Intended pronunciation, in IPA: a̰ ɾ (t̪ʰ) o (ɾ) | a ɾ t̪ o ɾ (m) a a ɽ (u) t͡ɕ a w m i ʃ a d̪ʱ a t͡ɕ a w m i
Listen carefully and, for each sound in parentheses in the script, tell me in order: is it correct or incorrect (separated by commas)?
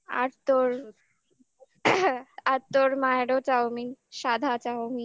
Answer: incorrect, correct, correct, incorrect